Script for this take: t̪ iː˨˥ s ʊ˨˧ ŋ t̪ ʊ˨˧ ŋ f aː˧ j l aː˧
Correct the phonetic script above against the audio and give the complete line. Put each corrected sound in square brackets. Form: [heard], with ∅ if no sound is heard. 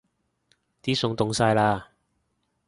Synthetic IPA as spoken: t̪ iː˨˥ s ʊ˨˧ ŋ t̪ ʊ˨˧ ŋ [s] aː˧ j l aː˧